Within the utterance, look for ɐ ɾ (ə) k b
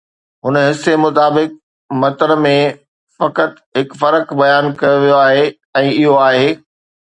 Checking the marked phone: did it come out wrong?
no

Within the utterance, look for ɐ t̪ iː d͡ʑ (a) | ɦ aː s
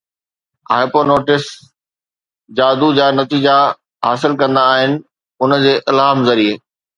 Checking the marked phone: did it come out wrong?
no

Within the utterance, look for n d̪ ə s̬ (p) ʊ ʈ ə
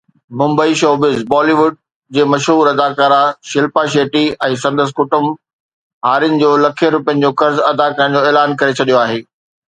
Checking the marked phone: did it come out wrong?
yes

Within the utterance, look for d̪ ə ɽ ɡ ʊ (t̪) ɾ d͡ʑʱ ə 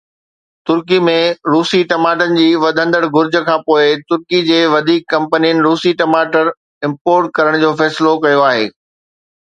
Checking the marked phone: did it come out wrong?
yes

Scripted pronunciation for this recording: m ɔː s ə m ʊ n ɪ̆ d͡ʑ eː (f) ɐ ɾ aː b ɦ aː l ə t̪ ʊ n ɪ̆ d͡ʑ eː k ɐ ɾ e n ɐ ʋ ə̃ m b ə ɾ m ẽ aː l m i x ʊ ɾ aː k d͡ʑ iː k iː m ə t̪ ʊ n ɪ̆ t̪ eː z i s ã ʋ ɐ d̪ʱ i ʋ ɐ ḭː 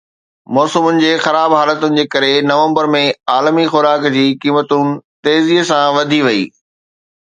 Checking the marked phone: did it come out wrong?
yes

